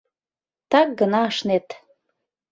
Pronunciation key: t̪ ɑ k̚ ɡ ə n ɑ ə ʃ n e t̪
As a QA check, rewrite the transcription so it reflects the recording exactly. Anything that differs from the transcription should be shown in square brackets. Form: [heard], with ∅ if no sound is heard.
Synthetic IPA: t̪ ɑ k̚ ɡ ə n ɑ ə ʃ n e t̪